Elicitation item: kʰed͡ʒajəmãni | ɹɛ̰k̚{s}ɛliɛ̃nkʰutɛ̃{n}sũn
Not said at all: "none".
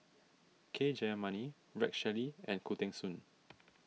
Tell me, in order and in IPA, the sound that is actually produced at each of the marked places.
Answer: ʃ, ŋ

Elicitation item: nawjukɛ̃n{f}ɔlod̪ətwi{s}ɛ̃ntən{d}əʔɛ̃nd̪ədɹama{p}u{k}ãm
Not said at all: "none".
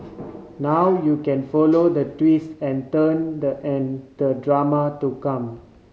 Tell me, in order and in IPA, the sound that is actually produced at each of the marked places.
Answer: f, s, d, t, k

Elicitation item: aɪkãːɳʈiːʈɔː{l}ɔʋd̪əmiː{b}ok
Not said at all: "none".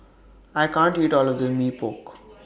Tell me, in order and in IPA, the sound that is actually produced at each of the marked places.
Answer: l, p

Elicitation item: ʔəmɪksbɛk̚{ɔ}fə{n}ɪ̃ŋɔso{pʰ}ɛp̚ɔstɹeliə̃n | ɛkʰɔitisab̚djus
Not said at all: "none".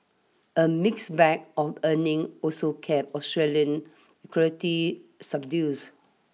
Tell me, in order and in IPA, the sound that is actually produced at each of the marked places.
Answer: ɔ, n, kʰ

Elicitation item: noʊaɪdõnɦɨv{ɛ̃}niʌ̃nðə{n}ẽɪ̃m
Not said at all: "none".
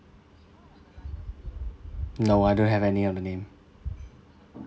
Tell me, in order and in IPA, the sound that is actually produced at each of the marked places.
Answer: ɛ, n

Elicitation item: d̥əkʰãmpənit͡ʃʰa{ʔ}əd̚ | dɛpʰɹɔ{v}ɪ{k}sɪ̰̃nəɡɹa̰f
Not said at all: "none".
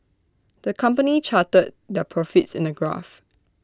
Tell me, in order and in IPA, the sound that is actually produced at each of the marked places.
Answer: t, f, t

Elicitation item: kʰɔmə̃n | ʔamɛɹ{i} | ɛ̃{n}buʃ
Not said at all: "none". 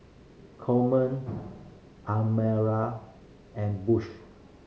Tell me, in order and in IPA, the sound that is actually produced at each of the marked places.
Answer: a, n

